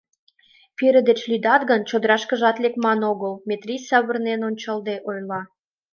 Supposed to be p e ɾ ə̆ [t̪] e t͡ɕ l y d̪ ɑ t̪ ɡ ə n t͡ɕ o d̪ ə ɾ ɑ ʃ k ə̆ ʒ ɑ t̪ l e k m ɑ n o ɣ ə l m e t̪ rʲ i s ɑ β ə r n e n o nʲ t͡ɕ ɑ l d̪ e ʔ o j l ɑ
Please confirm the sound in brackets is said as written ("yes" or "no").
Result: no